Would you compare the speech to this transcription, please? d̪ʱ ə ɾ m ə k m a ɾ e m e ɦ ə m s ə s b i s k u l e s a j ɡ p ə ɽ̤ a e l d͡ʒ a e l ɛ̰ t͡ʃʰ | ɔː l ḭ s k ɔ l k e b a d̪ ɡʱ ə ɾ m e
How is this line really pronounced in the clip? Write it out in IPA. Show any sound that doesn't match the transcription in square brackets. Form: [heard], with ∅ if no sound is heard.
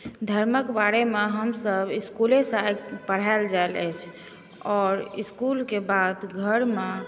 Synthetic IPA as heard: d̪ʱ ə ɾ m ə k [b] a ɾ e m e ɦ ə m s ə [∅] b i s k u l e s a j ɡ p ə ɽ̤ a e l d͡ʒ a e l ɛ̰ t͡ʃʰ | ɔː [ɾ] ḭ s k [u] l k e b a d̪ ɡʱ ə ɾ m e